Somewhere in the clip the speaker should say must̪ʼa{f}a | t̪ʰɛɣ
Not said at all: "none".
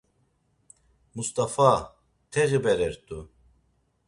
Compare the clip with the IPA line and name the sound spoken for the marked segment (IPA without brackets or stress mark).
f